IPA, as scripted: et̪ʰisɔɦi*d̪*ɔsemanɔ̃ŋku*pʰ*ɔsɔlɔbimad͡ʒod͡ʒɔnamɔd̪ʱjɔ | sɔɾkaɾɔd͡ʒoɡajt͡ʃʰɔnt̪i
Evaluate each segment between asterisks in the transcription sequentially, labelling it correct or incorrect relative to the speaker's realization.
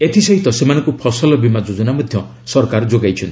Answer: incorrect, correct

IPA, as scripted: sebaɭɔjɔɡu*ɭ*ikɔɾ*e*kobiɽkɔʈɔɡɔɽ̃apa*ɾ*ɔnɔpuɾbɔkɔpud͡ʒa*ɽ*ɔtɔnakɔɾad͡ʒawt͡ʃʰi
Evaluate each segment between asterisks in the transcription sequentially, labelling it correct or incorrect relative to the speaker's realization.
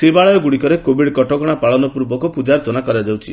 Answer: incorrect, correct, incorrect, incorrect

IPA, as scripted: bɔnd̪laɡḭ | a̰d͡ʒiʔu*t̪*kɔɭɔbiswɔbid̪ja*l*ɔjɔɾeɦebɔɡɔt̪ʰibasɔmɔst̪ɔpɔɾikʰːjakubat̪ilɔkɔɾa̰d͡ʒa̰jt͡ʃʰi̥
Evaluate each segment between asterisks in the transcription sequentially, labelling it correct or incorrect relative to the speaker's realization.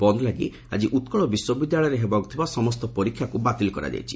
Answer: correct, incorrect

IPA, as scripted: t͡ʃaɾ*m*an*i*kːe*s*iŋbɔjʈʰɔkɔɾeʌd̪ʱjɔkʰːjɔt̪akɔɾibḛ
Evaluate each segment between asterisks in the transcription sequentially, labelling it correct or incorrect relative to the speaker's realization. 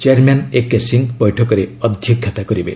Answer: correct, incorrect, correct

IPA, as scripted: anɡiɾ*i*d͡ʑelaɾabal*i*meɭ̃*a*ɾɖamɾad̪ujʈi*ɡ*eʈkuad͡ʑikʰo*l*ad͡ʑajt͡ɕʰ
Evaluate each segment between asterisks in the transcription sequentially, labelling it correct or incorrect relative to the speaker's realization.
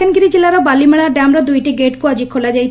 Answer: correct, correct, correct, correct, correct

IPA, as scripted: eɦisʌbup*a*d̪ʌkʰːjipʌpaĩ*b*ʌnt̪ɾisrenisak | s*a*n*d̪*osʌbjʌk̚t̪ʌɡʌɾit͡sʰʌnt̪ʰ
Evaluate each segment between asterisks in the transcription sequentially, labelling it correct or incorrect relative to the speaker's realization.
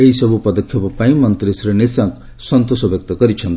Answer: incorrect, incorrect, incorrect, incorrect

